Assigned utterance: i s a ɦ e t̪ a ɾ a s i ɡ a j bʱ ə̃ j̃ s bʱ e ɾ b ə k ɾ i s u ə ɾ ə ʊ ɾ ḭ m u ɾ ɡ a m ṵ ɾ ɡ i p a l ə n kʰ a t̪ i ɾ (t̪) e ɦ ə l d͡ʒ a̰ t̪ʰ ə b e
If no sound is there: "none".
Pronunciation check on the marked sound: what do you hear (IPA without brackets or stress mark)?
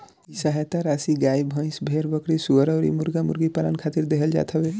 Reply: d̪